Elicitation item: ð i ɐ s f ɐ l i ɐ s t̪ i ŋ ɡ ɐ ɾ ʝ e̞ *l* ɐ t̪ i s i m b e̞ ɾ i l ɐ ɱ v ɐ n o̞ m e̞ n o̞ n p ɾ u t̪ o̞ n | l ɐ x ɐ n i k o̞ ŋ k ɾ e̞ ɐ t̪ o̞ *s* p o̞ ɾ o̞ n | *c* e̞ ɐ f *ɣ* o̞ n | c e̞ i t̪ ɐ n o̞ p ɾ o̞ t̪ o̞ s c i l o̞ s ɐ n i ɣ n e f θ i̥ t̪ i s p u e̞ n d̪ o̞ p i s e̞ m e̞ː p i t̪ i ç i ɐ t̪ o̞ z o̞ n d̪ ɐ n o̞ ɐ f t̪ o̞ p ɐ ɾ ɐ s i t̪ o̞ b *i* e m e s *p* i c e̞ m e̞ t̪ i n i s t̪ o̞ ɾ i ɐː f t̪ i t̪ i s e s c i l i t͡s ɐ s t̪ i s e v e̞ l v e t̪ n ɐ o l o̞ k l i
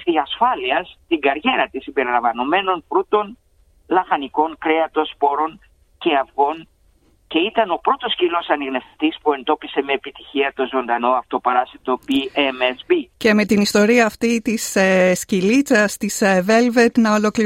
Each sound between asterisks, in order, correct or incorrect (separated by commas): incorrect, correct, correct, correct, correct, incorrect